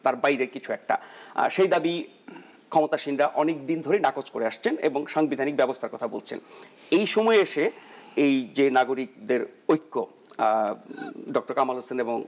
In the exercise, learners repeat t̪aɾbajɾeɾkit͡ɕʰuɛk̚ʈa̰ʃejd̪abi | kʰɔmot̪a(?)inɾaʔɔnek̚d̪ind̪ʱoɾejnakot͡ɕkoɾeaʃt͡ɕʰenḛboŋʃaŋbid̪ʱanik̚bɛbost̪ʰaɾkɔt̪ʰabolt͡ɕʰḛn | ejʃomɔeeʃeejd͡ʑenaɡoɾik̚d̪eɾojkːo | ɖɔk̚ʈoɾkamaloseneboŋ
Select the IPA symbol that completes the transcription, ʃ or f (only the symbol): ʃ